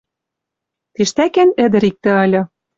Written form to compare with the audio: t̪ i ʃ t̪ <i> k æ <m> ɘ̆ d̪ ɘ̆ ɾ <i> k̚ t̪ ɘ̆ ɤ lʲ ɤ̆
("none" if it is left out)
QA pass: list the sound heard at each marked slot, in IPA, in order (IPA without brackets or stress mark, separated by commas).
æ, n, i